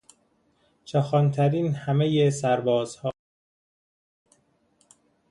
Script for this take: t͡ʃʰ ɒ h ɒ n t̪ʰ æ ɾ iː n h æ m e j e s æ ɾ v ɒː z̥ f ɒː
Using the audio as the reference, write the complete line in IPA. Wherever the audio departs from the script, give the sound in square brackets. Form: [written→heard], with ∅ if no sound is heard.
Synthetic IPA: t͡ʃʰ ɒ [h→x] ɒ n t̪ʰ æ ɾ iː n h æ m e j e s æ ɾ [v→b] ɒː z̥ [f→h] ɒː